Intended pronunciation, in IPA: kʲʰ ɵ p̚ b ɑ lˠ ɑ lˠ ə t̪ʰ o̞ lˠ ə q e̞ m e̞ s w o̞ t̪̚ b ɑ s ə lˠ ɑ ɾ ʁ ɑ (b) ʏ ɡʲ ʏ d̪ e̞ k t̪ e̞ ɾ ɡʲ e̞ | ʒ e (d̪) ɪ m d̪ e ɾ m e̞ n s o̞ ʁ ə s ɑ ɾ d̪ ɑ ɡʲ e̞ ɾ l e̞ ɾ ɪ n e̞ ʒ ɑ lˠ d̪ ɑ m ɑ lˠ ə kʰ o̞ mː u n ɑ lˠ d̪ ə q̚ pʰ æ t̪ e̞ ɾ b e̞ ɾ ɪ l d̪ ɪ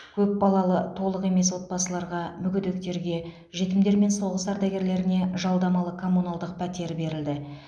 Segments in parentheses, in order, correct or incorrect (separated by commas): incorrect, incorrect